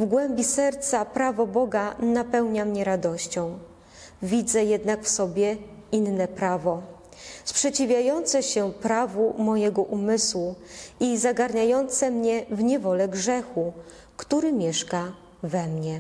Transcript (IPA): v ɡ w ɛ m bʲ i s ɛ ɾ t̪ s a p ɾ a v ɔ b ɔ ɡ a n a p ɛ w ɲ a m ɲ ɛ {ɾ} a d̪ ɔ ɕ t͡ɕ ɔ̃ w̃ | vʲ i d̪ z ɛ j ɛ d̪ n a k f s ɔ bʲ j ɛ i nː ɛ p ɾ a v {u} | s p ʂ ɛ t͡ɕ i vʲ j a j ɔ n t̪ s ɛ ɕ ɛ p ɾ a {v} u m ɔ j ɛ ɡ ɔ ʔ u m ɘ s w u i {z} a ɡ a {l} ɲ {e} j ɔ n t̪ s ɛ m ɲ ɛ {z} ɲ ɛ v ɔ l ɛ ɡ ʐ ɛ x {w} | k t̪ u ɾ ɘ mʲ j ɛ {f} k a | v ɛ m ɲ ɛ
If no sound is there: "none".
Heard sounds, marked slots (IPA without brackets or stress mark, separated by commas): ɾ, ɔ, v, z, ɾ, a, v, u, ʂ